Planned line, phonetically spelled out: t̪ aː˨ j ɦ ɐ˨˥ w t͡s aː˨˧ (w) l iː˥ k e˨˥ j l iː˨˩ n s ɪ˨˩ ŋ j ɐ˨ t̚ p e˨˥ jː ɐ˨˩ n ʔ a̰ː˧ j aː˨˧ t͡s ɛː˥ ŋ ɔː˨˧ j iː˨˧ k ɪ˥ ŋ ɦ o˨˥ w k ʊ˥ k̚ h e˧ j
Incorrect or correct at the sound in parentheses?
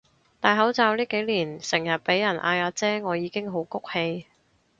correct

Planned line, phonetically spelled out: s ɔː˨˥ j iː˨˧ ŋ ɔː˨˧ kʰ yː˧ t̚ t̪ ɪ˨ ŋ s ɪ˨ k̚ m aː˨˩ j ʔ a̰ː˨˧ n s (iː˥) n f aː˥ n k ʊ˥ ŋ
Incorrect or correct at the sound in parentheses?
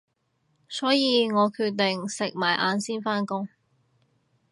correct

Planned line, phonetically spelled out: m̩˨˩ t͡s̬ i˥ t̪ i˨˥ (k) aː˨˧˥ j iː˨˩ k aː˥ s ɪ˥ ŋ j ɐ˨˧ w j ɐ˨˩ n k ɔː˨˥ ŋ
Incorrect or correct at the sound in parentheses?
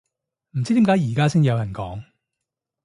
correct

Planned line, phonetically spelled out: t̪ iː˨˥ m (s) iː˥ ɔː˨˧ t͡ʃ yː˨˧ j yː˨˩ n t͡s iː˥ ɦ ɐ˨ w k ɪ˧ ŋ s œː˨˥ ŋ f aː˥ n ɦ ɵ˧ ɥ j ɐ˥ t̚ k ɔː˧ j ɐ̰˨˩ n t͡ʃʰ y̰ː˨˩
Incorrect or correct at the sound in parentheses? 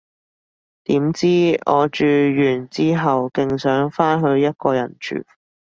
incorrect: t͡s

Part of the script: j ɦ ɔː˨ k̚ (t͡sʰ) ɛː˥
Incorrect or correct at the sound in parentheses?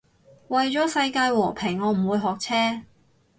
correct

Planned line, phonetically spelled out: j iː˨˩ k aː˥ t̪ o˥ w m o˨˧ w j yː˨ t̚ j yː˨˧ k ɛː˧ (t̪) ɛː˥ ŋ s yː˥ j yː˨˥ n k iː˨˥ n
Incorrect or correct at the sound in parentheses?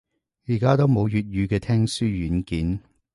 incorrect: t̪ʰ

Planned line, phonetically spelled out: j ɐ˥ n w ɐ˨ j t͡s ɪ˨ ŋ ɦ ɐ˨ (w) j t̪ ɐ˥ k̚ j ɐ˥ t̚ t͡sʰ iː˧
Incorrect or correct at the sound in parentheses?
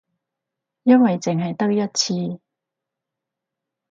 incorrect: none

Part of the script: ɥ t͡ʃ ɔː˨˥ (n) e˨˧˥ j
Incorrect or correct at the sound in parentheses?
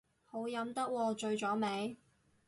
incorrect: m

